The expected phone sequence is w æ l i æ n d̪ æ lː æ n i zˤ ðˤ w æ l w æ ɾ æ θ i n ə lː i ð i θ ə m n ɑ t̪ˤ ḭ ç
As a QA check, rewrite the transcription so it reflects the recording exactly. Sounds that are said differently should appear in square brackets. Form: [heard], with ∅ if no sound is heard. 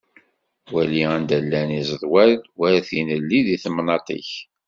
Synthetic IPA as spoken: w æ l i æ n d̪ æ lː æ n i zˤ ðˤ w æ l w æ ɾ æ θ i n ə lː i ð i θ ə m n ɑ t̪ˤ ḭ ç